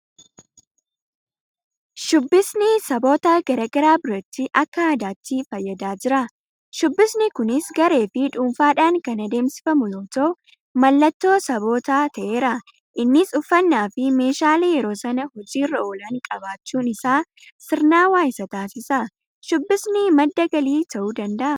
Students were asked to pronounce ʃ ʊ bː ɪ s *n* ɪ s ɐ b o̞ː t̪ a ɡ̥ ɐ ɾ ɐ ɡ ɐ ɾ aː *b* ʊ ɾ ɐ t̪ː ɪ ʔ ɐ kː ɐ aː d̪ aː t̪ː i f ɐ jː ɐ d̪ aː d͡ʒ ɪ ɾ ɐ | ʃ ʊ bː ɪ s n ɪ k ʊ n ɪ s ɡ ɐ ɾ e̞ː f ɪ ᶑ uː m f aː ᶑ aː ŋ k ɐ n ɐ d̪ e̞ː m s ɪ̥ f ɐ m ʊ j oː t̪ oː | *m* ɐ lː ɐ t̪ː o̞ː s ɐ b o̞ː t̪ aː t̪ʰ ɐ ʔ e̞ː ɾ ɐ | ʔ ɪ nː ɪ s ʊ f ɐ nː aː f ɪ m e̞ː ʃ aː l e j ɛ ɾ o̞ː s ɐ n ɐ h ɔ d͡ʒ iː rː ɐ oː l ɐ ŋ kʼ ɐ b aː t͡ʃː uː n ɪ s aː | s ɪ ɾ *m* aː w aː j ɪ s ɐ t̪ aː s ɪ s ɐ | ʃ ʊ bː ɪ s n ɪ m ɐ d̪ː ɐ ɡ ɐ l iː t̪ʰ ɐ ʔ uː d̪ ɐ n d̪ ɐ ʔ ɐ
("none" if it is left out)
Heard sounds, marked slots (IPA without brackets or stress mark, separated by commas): n, b, m, n